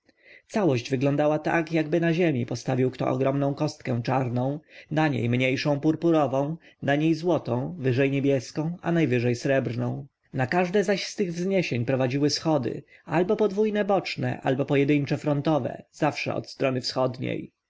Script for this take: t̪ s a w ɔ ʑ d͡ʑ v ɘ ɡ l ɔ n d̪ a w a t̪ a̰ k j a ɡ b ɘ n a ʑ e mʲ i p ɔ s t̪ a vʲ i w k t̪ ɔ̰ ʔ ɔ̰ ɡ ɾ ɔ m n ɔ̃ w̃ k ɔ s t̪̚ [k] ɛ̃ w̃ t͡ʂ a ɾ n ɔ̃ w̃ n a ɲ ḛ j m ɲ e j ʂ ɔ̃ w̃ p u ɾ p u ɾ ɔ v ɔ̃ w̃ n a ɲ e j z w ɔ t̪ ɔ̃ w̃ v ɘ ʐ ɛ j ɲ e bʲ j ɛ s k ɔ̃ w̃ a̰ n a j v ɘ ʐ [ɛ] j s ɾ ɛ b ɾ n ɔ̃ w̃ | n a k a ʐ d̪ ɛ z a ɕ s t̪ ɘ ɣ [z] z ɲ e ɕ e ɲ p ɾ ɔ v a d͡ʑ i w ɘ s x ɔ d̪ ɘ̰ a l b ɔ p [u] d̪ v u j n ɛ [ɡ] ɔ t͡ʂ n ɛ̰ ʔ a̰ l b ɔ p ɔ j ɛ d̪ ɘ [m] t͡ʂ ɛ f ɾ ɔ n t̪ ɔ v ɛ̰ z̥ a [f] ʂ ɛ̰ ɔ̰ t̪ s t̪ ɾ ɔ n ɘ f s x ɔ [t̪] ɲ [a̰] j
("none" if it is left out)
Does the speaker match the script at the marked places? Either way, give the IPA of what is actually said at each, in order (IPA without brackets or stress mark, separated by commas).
k, ɛ, v, ɔ, b, ɲ, f, d̪, ḛ